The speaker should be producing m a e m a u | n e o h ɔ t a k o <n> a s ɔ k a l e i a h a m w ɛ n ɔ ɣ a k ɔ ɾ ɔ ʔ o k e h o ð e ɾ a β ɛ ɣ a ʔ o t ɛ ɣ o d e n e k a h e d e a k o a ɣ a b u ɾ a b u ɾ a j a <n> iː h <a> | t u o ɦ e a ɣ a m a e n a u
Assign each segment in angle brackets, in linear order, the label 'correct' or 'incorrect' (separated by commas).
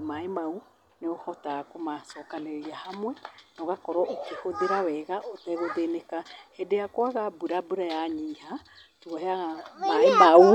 incorrect, incorrect, correct